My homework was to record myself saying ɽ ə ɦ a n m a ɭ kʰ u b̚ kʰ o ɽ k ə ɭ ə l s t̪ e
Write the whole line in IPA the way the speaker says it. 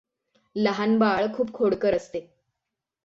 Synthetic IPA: l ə ɦ a n b a ɭ kʰ uː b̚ kʰ o ɽ k ə ɾ ə s t̪ e